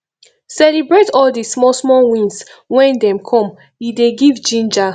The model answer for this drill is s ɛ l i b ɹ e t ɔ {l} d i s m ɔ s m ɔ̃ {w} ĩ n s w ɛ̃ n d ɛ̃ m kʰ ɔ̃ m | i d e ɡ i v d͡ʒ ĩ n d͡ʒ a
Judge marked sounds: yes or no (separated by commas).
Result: yes, yes